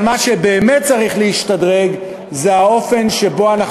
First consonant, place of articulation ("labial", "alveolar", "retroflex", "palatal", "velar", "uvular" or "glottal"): labial